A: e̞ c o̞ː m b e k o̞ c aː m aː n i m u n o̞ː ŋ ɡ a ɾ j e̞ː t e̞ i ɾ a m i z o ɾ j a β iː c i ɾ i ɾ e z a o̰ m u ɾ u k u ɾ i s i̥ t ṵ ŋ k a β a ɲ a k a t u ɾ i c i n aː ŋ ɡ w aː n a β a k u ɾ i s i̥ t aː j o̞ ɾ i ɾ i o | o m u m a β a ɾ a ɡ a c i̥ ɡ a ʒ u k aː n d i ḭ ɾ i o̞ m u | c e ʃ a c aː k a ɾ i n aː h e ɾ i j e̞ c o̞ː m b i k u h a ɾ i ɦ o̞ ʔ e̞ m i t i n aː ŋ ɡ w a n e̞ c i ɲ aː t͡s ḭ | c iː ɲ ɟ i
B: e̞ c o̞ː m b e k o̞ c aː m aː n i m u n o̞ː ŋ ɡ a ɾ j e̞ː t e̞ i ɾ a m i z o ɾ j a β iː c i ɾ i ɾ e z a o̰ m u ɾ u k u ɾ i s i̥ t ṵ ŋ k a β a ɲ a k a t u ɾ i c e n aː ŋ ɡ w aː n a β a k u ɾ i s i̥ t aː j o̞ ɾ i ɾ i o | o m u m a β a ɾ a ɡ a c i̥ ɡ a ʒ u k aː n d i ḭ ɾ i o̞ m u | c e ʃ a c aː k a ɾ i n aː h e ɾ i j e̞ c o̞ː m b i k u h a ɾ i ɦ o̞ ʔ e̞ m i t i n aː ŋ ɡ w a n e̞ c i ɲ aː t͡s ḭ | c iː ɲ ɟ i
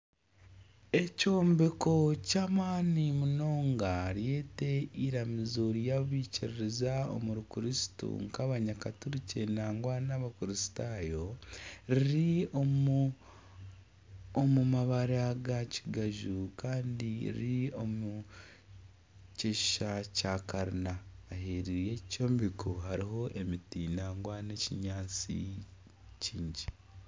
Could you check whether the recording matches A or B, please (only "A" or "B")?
B